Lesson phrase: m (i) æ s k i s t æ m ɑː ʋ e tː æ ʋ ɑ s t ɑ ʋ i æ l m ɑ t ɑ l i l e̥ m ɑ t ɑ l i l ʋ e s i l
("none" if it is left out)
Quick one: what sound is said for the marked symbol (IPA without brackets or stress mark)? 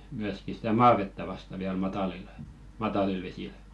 y